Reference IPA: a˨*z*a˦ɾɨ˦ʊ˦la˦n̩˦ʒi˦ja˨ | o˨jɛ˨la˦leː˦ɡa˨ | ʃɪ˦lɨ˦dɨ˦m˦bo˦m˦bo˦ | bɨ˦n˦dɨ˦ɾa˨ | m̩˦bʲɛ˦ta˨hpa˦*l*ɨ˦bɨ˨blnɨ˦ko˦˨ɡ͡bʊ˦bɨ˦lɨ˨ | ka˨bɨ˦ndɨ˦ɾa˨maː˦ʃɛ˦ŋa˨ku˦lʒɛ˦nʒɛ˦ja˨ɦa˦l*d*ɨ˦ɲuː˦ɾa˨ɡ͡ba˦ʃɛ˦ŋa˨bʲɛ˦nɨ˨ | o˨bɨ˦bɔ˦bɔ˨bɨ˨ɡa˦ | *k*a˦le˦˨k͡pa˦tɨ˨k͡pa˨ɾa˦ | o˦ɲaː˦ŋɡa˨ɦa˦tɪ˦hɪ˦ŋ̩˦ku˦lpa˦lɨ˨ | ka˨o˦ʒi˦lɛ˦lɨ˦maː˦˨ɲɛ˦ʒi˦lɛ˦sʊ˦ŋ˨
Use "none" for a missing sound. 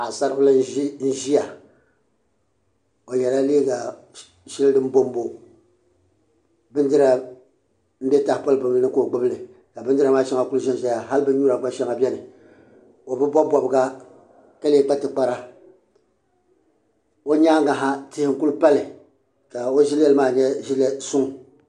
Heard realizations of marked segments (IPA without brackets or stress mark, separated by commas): s, l, b, k